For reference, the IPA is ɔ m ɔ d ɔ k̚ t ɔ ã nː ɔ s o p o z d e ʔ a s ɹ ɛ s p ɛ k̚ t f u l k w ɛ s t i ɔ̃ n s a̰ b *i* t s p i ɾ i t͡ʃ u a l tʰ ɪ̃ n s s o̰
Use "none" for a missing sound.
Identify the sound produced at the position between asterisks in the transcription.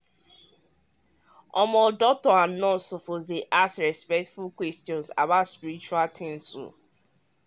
a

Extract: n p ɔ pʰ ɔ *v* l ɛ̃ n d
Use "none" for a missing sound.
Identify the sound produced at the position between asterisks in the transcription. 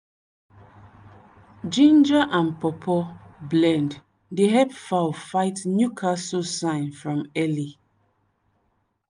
b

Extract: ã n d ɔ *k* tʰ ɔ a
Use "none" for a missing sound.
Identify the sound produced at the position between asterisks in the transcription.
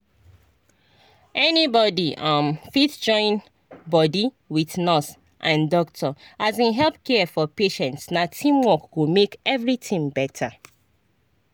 k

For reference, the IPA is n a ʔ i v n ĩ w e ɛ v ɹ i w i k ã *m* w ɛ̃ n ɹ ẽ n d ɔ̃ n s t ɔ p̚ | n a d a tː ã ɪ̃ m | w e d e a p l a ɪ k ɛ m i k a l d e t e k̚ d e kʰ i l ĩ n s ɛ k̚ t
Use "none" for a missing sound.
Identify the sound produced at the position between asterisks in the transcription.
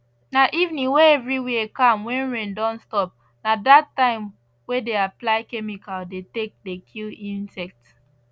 m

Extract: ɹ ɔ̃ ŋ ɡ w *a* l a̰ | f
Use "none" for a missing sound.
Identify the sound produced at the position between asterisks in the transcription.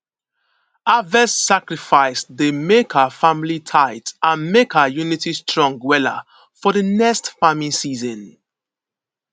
ɛ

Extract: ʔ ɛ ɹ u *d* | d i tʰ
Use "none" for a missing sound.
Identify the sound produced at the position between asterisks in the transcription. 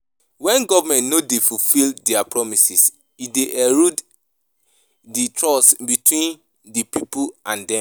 d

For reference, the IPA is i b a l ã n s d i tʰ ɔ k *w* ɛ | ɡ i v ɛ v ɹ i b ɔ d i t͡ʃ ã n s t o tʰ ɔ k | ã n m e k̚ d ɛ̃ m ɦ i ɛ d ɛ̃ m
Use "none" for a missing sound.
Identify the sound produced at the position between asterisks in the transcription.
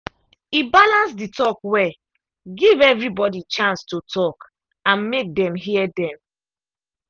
w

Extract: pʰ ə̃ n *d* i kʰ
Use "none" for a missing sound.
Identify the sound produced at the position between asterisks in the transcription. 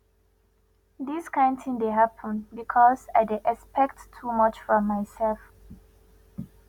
b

